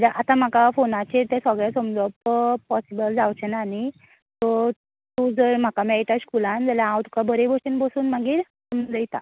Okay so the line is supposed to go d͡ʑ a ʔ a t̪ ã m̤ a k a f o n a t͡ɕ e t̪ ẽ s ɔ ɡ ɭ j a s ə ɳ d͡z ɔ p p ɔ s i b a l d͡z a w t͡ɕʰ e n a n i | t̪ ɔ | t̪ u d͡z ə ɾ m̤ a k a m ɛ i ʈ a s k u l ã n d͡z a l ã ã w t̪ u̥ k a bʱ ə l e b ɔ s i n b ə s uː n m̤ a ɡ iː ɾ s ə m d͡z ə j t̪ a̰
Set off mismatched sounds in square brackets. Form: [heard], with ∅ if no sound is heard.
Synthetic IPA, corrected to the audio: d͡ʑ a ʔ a t̪ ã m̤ a k a f o n a t͡ɕ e t̪ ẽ s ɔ ɡ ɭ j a s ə [m] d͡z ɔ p p ɔ s i b [ə] l d͡z a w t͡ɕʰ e n a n i | t̪ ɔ | t̪ u d͡z ə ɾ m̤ a k a m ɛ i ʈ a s k u l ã n d͡z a l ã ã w t̪ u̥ k a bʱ ə [ɾ] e b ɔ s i n b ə s uː n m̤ a ɡ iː ɾ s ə m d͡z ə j t̪ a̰